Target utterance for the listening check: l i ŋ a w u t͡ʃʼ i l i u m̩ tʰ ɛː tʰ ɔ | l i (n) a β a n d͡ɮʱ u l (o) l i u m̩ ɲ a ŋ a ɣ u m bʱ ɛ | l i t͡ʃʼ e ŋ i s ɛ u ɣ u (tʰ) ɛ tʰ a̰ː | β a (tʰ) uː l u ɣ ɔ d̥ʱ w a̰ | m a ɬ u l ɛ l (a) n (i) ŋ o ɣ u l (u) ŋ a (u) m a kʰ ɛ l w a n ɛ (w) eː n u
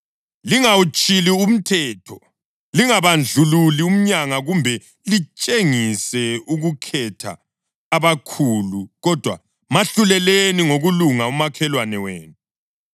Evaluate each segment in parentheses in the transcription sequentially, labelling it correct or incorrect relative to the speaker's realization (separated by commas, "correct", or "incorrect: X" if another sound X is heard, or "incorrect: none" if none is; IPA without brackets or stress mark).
incorrect: ŋ, incorrect: u, incorrect: kʰ, incorrect: kʰ, incorrect: e, correct, correct, correct, correct